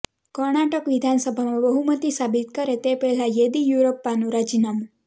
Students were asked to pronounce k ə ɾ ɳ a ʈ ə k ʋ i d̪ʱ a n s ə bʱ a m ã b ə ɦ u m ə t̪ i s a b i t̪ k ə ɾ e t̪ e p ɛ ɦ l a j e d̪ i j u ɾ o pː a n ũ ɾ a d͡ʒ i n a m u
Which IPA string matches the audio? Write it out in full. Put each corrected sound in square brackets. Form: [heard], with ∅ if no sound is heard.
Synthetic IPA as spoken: k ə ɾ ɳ a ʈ ə k ʋ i d̪ʱ a n s ə bʱ a m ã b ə ɦ u m ə t̪ i s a b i t̪ k ə ɾ e t̪ e p ɛ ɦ l a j e d̪ i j u ɾ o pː a n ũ ɾ a d͡ʒ i n a m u